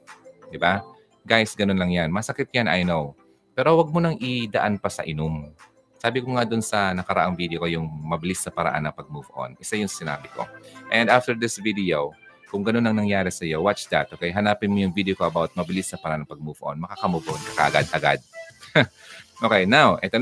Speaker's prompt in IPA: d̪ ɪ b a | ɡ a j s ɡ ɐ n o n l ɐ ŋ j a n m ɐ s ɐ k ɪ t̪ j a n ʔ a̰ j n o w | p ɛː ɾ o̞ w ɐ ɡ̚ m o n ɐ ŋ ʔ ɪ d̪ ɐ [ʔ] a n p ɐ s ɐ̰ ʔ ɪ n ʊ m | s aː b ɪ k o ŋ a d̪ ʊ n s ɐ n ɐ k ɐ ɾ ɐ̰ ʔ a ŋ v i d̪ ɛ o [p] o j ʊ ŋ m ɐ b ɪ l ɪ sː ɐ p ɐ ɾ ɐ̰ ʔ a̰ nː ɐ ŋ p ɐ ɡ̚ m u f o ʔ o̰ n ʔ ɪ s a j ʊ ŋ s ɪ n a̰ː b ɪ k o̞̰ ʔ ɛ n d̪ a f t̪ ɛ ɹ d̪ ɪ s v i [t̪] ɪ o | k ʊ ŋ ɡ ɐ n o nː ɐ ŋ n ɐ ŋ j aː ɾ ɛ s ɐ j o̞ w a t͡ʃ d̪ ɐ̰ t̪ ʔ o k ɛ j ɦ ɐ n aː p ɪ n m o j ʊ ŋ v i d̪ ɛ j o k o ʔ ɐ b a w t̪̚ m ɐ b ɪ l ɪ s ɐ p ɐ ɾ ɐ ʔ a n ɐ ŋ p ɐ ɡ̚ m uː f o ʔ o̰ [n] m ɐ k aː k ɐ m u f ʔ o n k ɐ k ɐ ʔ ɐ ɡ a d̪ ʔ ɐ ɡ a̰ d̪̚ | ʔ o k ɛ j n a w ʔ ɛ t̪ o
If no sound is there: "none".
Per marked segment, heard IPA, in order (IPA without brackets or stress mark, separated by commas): ʔ, k, d̪, n